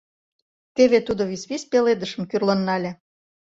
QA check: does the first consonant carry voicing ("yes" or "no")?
no